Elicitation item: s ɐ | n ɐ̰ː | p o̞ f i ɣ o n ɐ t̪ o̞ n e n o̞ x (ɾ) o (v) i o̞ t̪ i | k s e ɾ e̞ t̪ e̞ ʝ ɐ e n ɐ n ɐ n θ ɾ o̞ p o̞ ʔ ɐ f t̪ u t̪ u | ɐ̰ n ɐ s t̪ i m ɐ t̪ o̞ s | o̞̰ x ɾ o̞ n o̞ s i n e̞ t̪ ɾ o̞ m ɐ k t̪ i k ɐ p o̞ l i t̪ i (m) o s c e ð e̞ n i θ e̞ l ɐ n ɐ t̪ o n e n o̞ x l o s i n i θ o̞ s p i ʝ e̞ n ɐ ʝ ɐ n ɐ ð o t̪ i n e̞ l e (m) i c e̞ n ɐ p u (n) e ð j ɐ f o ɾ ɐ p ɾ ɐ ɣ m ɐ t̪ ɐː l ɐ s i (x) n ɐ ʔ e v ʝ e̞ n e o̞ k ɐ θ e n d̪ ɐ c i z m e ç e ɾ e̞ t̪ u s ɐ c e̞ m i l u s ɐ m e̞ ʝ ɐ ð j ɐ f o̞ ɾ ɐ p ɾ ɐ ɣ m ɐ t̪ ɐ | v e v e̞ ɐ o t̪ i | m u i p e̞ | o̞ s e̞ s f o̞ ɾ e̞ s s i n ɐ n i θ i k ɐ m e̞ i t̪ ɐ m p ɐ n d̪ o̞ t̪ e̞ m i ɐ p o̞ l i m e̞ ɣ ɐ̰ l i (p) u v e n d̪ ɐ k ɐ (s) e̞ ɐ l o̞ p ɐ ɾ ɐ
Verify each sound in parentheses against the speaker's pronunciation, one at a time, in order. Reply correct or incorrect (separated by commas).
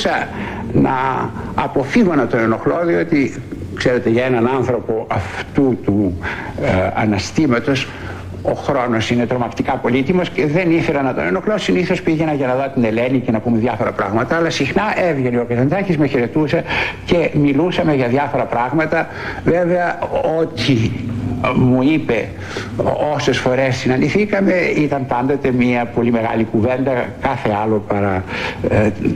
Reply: incorrect, incorrect, correct, incorrect, incorrect, correct, incorrect, incorrect